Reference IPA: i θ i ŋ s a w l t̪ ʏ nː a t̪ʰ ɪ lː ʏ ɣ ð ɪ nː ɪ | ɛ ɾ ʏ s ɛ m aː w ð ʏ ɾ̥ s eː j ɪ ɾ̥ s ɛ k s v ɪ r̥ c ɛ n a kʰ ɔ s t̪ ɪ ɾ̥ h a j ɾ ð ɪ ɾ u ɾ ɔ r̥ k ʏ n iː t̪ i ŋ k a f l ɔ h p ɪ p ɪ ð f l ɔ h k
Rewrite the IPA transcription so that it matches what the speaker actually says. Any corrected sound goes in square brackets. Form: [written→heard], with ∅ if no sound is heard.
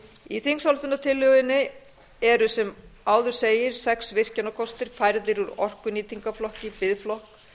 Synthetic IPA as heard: i θ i ŋ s a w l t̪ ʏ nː a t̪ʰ ɪ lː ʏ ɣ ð ɪ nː ɪ | ɛ ɾ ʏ s ɛ m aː w ð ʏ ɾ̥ s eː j ɪ ɾ̥ s ɛ k s v ɪ r̥ c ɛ n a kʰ ɔ s t̪ ɪ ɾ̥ [h→f] a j ɾ ð ɪ ɾ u ɾ ɔ r̥ k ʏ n iː t̪ i ŋ k a f l ɔ h [p→c] ɪ p ɪ ð f l ɔ h k